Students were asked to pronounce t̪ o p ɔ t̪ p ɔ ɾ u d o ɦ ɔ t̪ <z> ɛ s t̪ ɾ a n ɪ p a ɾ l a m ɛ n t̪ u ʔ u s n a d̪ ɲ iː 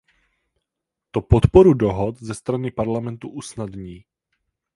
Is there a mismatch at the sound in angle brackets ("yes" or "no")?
no